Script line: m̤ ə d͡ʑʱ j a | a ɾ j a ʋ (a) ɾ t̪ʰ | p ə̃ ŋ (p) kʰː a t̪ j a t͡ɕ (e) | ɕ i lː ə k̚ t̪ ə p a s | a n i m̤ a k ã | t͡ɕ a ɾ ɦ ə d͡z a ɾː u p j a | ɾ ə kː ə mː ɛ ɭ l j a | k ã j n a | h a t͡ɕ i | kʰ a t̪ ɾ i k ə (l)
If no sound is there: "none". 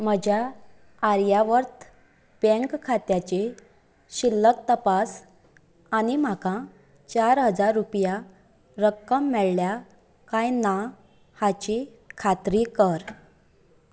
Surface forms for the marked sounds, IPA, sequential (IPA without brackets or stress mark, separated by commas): ə, k, e, ɾ